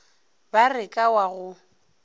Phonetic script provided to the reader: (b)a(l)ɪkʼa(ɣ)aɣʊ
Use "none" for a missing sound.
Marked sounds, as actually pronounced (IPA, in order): b, r, w

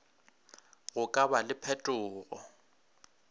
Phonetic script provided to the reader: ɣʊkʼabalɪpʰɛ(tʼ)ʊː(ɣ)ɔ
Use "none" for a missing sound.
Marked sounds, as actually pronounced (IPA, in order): tʼ, ɣ

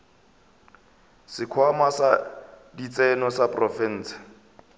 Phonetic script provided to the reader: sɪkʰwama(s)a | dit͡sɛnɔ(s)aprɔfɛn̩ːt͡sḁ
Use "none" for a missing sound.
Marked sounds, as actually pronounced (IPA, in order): s, s

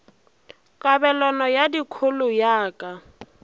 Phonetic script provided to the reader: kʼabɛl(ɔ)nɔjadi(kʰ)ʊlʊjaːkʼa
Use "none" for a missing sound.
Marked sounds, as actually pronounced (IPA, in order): ɔ, kʰ

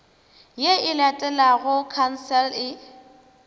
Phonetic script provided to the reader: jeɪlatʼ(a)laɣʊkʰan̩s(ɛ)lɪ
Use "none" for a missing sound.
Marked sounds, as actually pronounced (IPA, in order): ɛ, ɛ

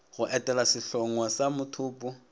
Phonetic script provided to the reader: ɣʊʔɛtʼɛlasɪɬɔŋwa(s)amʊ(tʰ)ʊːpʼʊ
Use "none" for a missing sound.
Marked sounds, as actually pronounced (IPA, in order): s, tʰ

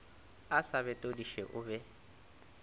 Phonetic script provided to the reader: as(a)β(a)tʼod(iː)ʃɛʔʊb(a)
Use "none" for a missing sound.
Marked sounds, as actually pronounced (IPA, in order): a, ɛ, i, ɛ

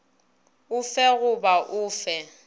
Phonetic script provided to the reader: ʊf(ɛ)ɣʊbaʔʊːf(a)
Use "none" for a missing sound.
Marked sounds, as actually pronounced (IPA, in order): ɛ, ɛ

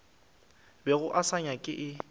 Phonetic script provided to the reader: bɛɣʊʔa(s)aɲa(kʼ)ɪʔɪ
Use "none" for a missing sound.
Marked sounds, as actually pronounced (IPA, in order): s, kʼ

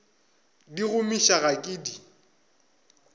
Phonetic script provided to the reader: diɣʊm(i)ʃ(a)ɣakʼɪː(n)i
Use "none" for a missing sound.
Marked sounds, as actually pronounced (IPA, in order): i, a, d

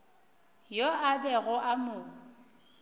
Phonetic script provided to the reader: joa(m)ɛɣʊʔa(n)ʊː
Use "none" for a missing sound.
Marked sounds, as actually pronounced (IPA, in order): b, m

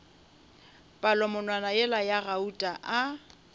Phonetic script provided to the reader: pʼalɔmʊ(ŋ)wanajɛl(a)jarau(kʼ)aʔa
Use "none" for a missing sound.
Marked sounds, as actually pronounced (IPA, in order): n, a, tʼ

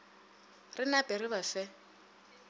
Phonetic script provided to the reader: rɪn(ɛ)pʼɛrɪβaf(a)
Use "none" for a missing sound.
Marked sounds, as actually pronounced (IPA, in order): a, ɛ

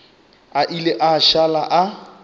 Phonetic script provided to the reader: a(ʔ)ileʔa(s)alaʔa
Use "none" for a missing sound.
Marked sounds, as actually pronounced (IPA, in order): ʔ, ʃ

